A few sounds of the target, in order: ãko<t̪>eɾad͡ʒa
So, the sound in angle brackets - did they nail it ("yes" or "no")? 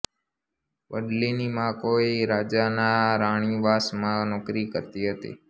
no